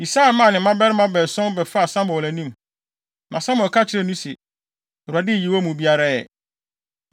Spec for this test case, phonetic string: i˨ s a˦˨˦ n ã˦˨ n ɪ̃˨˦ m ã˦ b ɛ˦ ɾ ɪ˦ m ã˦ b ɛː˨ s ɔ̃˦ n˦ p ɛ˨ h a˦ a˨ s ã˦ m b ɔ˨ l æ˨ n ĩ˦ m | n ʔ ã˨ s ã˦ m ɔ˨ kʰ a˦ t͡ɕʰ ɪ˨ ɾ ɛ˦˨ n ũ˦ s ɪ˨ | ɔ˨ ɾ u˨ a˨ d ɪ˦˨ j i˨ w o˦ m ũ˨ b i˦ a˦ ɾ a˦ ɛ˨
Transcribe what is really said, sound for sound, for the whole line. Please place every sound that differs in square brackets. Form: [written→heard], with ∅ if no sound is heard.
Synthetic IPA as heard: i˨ s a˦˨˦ [n→m] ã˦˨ n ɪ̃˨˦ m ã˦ b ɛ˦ ɾ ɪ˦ m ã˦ b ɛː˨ s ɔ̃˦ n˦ [p→b] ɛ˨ [h→f] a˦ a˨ s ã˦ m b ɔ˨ l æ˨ n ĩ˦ m | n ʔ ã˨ s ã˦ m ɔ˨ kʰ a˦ t͡ɕʰ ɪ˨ ɾ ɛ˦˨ n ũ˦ s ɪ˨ | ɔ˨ ɾ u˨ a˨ d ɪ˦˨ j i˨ w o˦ m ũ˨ b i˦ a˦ ɾ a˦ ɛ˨

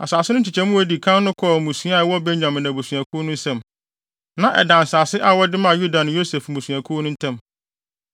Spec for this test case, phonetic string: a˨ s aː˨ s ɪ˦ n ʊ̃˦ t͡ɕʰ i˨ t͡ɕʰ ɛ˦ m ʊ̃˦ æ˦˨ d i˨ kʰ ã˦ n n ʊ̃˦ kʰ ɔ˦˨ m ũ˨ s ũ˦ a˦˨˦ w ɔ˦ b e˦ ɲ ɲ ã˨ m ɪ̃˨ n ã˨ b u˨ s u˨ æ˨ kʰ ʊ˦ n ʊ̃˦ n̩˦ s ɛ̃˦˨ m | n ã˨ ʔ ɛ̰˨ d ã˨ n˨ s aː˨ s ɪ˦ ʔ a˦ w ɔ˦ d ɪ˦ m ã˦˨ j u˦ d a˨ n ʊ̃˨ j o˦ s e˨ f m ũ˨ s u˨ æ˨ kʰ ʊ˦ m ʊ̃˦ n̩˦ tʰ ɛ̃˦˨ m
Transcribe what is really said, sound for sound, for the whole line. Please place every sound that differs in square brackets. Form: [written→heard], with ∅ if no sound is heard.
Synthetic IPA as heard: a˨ s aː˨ s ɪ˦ n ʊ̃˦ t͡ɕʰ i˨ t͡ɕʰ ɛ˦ m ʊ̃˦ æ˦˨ d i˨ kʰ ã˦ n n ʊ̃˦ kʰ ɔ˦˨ m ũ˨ s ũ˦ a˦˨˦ w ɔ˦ b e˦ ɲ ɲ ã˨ m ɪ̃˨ n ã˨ b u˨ s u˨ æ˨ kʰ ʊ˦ n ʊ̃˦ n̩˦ s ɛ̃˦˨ m | n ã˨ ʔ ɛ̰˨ d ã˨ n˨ s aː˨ s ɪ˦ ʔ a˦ w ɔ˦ d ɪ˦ m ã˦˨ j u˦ d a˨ n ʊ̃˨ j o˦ s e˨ f m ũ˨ s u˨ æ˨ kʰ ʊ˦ [m→n] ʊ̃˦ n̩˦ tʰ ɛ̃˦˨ m

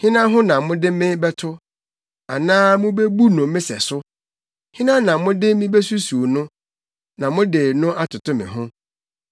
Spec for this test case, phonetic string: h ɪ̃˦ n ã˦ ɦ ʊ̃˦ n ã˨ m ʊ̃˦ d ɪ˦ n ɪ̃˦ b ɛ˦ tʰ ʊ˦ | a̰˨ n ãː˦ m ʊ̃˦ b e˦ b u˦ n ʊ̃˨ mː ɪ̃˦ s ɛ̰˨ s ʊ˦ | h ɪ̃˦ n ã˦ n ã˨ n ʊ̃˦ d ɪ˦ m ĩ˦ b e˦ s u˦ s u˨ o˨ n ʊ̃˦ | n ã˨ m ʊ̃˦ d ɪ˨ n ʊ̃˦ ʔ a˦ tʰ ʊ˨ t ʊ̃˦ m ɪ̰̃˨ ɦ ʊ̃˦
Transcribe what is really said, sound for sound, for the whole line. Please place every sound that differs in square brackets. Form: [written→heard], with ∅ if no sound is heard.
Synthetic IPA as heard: h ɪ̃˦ n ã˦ ɦ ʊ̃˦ n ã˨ m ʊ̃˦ d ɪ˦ [n→m] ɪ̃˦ b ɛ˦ tʰ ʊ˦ | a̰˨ n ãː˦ m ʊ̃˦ b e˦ b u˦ n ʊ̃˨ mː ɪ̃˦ s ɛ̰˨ s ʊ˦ | h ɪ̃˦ n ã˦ n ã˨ [n→m] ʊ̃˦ d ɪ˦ m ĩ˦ b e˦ s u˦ s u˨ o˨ n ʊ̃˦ | n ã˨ m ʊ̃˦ d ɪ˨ n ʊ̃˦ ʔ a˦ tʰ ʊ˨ t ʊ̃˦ m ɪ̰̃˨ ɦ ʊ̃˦

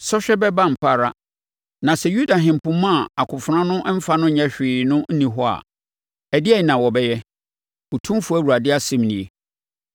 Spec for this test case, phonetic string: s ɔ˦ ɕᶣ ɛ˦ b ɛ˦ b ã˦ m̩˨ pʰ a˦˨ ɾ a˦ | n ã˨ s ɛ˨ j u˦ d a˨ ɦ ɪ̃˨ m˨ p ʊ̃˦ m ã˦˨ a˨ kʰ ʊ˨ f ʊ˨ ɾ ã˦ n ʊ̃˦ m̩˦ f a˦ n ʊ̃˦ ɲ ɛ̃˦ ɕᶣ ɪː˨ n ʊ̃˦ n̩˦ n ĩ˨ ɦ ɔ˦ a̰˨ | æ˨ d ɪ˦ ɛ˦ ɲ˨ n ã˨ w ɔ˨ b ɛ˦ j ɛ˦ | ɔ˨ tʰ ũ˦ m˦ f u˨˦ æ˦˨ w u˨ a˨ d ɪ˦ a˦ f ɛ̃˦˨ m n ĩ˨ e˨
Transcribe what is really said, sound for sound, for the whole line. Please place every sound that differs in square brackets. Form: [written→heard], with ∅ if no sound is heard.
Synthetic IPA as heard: s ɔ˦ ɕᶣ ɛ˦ b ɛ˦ b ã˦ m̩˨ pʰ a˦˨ ɾ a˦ | n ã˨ s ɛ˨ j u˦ d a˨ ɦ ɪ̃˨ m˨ p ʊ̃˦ m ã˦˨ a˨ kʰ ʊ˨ f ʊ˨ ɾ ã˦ n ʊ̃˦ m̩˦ f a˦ n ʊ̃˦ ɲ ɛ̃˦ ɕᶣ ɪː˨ n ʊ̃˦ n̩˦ n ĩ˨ ɦ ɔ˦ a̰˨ | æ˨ d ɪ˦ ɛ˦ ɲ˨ n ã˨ w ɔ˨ b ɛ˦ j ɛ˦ | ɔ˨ tʰ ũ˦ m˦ f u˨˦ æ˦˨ w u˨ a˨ d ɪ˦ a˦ [f→s] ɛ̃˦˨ m n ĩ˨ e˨

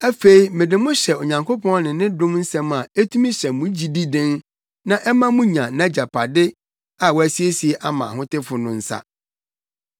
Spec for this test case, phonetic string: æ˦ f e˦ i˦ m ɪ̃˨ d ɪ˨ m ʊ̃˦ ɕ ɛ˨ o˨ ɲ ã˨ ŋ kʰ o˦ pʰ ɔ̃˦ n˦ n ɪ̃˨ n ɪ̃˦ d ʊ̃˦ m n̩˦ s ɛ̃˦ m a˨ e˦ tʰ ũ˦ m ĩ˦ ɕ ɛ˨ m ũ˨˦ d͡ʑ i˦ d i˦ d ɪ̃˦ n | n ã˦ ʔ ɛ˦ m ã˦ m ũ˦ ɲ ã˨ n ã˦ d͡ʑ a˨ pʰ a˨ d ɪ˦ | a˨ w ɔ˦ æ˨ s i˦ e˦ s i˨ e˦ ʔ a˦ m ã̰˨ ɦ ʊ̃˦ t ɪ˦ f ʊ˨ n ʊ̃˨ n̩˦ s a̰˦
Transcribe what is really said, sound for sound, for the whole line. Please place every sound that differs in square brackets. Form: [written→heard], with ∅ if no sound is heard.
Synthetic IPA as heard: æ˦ f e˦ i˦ m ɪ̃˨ d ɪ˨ m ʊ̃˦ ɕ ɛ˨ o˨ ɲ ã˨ ŋ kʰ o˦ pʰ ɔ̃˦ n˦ n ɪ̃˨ n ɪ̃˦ d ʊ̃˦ m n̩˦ s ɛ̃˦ m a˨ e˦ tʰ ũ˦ m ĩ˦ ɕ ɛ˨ m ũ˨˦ d͡ʑ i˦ d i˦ d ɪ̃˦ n | n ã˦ ʔ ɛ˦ m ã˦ m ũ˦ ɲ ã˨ n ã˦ d͡ʑ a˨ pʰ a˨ d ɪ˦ | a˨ w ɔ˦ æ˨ s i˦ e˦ s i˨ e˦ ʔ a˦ m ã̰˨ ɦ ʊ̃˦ t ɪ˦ f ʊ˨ n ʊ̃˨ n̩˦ s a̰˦

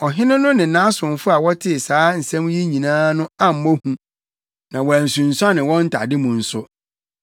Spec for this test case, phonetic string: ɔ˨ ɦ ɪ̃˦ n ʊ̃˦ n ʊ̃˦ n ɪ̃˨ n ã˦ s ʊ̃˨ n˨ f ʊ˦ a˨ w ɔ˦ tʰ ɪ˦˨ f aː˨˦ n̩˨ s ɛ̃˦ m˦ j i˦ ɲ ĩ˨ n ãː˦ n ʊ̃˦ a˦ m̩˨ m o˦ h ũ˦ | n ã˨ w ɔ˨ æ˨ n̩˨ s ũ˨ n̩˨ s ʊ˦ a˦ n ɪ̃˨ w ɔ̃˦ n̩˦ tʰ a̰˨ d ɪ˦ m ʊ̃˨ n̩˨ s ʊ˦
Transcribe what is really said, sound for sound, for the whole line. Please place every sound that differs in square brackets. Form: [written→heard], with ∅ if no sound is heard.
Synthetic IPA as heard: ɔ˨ ɦ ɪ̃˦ n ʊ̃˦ n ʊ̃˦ n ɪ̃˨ n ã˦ s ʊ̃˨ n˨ f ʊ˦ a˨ w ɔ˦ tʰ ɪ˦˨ [f→s] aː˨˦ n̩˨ s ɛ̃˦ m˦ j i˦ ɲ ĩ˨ n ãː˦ n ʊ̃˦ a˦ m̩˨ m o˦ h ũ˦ | n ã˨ w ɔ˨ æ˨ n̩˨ s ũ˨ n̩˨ s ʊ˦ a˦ n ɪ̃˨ w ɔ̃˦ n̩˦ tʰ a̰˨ d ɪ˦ m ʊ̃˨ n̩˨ s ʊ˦

